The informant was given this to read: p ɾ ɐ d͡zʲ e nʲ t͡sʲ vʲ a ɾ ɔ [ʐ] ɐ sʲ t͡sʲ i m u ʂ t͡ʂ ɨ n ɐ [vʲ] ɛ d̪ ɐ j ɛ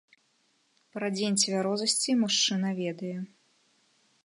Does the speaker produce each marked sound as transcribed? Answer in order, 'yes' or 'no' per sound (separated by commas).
no, yes